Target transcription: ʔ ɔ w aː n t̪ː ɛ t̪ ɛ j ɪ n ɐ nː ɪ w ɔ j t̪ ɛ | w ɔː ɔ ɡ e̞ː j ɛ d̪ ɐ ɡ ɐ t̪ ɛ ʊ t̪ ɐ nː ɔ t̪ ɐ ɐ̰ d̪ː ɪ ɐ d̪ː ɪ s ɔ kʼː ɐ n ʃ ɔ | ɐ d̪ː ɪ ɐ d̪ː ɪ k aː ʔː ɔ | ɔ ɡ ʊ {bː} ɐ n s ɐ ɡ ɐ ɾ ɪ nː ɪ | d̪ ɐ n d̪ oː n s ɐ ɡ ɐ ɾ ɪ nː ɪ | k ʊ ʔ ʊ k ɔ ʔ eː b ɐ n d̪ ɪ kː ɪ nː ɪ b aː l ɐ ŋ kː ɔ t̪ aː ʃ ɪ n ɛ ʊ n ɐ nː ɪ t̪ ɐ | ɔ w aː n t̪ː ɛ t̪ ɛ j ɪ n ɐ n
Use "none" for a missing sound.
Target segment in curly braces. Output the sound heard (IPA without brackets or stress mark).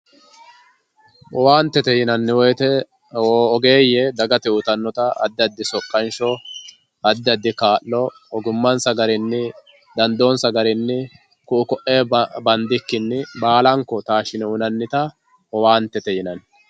mː